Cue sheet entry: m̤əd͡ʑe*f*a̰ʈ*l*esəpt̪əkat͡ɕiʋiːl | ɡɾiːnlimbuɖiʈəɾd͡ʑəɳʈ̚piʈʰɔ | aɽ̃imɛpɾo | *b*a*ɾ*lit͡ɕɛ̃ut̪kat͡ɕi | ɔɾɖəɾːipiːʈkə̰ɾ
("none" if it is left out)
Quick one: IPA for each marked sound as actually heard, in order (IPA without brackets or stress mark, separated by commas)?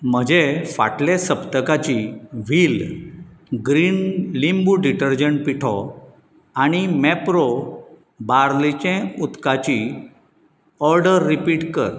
f, l, b, ɾ